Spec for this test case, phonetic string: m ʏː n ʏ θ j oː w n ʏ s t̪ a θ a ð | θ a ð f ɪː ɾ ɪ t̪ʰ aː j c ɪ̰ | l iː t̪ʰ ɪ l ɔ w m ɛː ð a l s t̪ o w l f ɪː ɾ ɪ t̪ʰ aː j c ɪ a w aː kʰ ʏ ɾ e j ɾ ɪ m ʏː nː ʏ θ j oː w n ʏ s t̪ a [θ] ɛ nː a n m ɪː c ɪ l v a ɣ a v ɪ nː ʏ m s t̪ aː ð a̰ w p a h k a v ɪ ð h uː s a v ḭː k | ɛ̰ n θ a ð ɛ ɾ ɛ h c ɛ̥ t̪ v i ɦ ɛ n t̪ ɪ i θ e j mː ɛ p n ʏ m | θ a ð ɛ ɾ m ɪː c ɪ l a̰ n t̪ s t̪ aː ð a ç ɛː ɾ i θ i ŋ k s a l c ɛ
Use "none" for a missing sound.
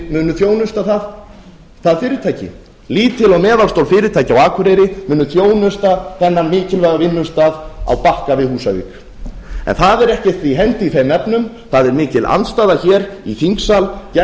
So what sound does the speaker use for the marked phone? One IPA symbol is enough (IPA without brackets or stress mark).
θ